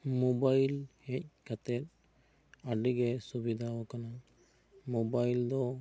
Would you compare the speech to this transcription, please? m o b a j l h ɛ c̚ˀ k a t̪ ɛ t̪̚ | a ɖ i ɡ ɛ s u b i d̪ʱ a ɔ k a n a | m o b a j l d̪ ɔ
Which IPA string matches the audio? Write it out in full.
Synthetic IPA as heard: m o b a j l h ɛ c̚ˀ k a t̪ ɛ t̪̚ | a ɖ i ɡ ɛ s u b i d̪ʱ a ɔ k a n a | m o b a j l d̪ ɔ